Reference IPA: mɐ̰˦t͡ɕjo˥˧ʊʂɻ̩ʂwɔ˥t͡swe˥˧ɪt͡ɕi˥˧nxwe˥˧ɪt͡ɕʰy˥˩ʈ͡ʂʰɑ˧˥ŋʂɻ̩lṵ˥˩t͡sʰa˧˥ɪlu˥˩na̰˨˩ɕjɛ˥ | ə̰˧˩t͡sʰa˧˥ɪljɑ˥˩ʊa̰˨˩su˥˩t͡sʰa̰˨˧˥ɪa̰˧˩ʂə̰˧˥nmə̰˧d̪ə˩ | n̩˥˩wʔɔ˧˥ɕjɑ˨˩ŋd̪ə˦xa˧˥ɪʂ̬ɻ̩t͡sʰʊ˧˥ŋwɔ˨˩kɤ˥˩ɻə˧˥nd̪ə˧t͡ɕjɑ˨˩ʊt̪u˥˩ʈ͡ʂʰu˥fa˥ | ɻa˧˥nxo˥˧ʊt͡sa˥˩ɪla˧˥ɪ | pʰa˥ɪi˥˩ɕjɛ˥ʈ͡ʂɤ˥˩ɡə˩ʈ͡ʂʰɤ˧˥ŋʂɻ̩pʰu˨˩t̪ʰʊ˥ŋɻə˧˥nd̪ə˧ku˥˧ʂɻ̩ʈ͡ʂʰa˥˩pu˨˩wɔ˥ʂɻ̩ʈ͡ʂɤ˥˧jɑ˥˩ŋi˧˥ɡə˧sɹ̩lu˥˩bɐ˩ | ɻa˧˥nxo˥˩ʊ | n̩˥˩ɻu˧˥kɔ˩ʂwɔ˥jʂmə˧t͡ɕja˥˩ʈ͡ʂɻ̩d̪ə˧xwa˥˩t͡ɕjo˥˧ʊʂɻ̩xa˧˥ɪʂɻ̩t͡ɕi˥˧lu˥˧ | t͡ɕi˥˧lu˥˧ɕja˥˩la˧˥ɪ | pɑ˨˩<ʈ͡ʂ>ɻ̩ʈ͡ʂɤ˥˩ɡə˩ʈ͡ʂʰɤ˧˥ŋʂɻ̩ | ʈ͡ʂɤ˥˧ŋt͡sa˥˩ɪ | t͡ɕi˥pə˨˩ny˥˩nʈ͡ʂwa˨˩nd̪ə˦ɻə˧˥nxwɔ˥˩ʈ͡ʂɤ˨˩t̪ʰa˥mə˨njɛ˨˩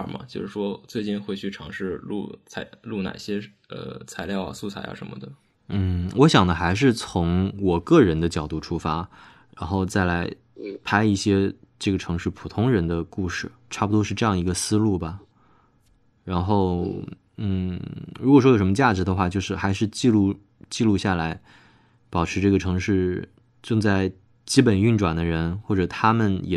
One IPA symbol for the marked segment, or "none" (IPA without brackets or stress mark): ʈ͡ʂʰ